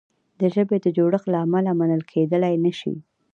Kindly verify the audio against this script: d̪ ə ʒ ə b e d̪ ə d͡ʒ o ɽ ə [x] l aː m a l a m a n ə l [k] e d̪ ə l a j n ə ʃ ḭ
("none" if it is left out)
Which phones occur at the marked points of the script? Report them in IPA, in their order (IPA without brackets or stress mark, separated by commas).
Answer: x, kʰ